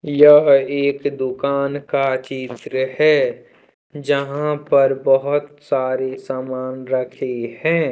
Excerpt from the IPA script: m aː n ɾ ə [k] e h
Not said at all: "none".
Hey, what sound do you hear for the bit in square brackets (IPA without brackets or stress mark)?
kʰ